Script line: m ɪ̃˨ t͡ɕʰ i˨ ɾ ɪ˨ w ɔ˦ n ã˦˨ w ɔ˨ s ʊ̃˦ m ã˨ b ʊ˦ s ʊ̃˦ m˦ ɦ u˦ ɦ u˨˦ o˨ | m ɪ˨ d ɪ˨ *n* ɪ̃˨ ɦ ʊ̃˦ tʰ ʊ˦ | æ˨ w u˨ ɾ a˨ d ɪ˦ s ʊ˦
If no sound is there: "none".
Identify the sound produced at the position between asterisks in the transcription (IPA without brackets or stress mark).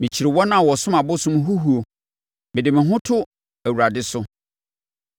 m